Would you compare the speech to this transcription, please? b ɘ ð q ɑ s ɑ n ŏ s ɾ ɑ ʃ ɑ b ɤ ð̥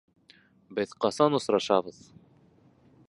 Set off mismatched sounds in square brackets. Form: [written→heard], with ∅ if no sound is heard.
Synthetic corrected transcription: b ɘ ð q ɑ s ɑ n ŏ s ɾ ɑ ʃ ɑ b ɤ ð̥

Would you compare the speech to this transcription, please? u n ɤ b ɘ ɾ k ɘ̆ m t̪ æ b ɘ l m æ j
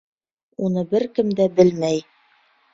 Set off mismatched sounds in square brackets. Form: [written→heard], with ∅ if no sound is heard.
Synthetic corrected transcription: u n ɤ b ɘ ɾ k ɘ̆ m [t̪→d̪] æ b ɘ l m æ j

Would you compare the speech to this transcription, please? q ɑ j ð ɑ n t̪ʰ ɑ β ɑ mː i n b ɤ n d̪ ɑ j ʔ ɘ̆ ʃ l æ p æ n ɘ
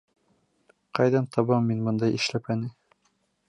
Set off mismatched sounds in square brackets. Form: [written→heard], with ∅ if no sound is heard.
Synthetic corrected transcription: q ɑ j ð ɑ n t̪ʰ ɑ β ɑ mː i n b ɤ n d̪ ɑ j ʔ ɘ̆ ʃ l æ p æ n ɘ

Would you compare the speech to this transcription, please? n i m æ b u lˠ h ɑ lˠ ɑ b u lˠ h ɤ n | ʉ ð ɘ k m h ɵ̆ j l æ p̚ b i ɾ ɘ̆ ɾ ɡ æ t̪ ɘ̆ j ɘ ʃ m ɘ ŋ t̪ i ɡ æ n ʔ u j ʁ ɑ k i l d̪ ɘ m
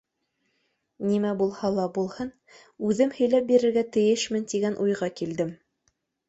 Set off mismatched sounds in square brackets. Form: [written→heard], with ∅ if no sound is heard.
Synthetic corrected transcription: n i m æ b u lˠ h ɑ lˠ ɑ b u lˠ h ɤ n | ʉ ð ɘ [k→∅] m h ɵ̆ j l æ p̚ b i ɾ ɘ̆ ɾ ɡ æ t̪ ɘ̆ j ɘ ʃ m ɘ [ŋ→n] t̪ i ɡ æ n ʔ u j ʁ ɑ k i l d̪ ɘ m

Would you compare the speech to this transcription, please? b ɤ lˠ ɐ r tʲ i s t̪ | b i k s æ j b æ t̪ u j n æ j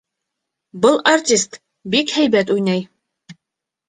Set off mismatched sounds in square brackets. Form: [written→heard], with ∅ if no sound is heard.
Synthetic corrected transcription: b ɤ lˠ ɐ r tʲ i s t̪ | b i k [s→h] æ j b æ t̪ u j n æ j

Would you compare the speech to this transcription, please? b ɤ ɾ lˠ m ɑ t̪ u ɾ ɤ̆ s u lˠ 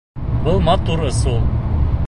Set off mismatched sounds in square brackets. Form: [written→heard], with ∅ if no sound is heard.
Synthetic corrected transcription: b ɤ [ɾ→∅] lˠ m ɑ t̪ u ɾ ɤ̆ s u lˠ

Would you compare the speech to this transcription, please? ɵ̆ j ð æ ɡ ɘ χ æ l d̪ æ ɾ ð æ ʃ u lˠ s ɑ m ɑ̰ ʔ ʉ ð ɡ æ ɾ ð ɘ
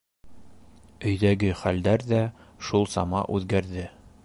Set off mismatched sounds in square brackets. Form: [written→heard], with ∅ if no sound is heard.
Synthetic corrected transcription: ɵ̆ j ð æ ɡ ɘ χ æ l d̪ æ ɾ ð æ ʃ u lˠ s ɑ m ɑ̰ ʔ ʉ ð ɡ æ ɾ ð ɘ

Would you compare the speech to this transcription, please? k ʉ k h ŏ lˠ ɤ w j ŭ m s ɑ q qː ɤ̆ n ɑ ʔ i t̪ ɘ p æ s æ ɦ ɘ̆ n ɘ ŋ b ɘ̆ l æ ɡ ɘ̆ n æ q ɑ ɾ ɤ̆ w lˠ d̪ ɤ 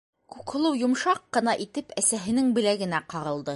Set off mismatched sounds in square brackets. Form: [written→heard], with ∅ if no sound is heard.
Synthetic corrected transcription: k ʉ k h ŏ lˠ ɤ w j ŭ m [s→ʃ] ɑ q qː ɤ̆ n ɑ ʔ i t̪ ɘ p æ s æ ɦ ɘ̆ n ɘ ŋ b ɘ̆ l æ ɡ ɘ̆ n æ q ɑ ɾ ɤ̆ [w→∅] lˠ d̪ ɤ

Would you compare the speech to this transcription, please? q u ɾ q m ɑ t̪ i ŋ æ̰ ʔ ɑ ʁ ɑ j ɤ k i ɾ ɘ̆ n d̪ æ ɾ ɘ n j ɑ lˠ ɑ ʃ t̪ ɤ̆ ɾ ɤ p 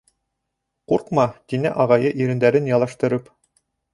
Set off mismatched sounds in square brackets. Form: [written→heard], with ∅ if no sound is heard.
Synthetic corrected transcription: q u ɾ q m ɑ t̪ i [ŋ→n] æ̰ ʔ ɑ ʁ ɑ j ɤ [k→ʔ] i ɾ ɘ̆ n d̪ æ ɾ ɘ n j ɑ lˠ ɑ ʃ t̪ ɤ̆ ɾ ɤ p

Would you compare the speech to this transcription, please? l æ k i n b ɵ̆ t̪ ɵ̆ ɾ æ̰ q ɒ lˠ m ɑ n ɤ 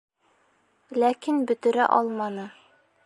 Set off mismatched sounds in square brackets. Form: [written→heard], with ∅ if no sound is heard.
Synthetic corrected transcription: l æ k i n b ɵ̆ t̪ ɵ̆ ɾ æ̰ [q→ʔ] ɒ lˠ m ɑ n ɤ

